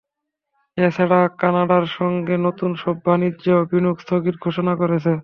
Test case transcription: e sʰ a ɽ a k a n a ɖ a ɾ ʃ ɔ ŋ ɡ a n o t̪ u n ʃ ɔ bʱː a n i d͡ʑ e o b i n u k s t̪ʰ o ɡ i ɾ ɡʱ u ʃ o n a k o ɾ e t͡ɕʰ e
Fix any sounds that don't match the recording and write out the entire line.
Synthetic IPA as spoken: e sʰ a ɽ a k a n a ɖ a ɾ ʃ ɔ ŋ ɡ e n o t̪ u n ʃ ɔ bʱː a n i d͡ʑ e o b i n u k s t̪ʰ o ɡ i ɾ ɡʱ o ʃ o n a k o ɾ e t͡ɕʰ e